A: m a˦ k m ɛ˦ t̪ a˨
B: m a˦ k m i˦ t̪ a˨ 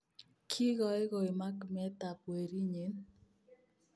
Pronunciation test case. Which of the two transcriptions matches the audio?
A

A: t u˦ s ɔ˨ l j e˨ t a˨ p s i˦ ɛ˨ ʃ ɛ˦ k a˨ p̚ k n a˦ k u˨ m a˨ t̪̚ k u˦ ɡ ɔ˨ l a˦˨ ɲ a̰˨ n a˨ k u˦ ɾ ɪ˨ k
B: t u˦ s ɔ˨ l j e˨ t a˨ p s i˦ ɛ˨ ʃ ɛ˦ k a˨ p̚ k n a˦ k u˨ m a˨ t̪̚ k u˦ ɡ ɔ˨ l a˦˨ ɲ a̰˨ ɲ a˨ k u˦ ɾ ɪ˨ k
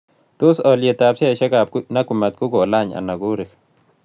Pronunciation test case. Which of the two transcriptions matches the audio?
A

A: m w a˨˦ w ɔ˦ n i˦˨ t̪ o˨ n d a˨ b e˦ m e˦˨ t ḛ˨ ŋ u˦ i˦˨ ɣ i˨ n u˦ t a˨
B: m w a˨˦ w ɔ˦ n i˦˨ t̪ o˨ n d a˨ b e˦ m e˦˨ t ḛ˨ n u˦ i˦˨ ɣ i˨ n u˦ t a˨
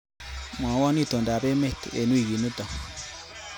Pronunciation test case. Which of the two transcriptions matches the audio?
B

